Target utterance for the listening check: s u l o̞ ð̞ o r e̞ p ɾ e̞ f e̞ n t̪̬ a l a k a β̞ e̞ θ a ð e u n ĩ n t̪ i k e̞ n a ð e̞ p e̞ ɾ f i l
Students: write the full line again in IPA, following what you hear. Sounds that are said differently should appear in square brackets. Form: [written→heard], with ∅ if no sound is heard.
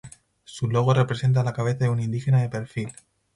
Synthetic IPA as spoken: s u l o̞ [ð̞→ɣ̞] o r e̞ p ɾ e̞ [f→s] e̞ n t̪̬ a l a k a β̞ e̞ θ a ð e u n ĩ n [t̪→d̪] i [k→x] e̞ n a ð e̞ p e̞ ɾ f i l